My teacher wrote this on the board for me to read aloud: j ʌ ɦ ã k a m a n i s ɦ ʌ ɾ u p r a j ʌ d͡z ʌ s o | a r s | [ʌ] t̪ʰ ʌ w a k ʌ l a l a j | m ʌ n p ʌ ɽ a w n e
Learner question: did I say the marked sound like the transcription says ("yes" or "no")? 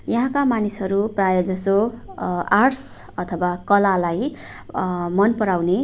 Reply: yes